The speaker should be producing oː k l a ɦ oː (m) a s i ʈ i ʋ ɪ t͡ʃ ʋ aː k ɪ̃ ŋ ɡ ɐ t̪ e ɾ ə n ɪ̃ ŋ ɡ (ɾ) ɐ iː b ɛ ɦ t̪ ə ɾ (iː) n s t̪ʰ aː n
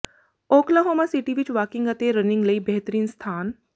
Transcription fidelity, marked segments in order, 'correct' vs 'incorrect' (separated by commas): correct, incorrect, correct